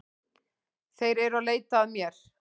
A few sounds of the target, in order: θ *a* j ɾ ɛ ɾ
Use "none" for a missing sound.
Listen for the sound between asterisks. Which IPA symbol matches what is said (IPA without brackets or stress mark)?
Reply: e